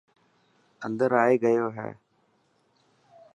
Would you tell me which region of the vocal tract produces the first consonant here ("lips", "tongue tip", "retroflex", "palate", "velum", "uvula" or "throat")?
tongue tip